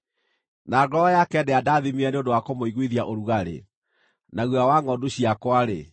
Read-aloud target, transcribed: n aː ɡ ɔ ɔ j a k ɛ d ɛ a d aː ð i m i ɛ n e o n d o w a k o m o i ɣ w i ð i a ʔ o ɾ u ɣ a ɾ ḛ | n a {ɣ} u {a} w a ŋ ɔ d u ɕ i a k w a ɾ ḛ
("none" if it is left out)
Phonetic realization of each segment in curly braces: ɣ, a

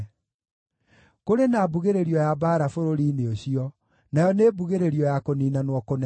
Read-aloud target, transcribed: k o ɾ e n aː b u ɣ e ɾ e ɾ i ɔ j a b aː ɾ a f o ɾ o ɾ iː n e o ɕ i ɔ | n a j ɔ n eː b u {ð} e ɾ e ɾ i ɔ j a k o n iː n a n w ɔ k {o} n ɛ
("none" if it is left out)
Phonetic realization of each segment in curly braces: ɣ, o

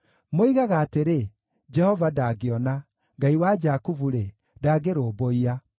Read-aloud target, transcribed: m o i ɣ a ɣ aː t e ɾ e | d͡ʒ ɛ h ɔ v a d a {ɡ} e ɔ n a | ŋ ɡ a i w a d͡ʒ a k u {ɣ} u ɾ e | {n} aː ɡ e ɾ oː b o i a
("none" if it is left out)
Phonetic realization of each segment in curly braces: ɡ, v, d

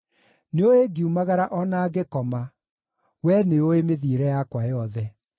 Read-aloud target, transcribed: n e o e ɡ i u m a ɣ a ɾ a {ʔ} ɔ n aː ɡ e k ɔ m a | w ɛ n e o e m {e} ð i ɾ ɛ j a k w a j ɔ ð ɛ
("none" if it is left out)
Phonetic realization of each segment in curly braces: ʔ, e

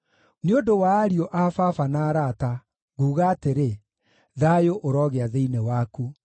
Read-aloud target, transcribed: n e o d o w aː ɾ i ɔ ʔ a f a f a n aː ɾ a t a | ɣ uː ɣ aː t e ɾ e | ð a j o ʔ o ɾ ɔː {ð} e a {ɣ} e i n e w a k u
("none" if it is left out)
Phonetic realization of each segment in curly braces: ɣ, ð

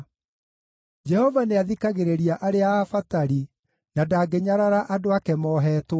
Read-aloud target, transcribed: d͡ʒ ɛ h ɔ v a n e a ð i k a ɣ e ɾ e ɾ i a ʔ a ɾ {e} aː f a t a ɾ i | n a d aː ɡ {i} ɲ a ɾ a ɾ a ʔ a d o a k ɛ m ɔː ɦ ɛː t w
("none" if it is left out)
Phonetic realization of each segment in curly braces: e, e

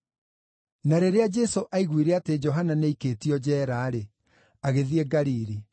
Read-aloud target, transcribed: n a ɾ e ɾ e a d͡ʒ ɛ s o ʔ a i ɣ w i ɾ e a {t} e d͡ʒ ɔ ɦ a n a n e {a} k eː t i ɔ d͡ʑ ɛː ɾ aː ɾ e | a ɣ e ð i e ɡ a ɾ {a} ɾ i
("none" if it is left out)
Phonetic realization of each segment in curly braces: t, i, i

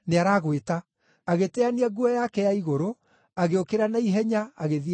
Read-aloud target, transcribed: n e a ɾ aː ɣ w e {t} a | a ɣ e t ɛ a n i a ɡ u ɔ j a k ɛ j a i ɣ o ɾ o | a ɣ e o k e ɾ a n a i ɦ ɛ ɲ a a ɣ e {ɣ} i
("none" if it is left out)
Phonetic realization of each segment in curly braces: t, ð

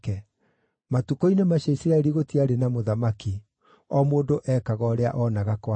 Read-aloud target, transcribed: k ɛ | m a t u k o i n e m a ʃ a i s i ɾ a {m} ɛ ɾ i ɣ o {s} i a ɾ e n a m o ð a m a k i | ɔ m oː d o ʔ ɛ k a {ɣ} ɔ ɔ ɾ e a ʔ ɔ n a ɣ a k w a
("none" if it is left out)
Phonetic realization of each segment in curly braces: none, t, ɣ

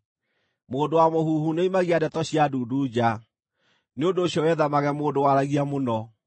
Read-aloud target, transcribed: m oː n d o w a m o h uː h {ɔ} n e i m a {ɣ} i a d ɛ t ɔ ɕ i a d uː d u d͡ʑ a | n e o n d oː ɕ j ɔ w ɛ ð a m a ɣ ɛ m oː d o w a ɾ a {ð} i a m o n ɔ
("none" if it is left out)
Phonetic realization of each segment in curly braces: u, ɣ, ɣ

